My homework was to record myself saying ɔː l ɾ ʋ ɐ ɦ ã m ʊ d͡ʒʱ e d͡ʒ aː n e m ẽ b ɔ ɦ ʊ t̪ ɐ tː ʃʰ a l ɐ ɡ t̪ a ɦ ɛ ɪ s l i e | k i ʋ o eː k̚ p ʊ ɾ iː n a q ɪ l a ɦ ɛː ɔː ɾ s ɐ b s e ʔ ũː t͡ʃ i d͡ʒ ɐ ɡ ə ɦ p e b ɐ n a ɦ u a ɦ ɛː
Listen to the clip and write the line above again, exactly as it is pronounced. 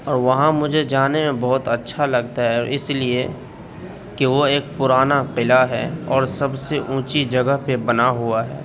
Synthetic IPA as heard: ɔː ɾ ʋ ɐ ɦ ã m ʊ d͡ʒʱ e d͡ʒ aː n e m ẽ b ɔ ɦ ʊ t̪ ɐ tː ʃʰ a l ɐ ɡ t̪ a ɦ ɛ ɪ s l i e | k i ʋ o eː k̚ p ʊ ɾ aː n a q ɪ l a ɦ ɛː ɔː ɾ s ɐ b s e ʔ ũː t͡ʃ i d͡ʒ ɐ ɡ ə ɦ p e b ɐ n a ɦ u a ɦ ɛː